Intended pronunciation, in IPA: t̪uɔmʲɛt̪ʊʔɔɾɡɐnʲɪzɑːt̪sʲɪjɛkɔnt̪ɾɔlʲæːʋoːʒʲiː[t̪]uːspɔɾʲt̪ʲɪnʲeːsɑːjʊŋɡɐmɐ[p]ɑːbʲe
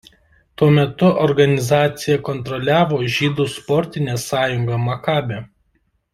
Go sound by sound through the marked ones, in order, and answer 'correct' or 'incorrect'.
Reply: incorrect: d̪, incorrect: k

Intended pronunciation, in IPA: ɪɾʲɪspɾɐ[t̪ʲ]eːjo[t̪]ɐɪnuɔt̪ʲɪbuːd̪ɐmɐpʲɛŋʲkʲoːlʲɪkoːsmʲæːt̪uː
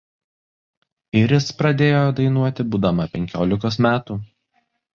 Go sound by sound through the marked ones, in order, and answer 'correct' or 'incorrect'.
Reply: incorrect: d̪ʲ, incorrect: d̪

